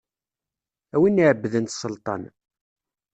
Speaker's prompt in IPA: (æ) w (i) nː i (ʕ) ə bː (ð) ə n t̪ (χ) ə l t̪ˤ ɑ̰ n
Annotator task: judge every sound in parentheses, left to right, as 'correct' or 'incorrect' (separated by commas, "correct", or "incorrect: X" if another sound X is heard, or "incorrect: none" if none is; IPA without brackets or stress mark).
correct, correct, correct, correct, incorrect: s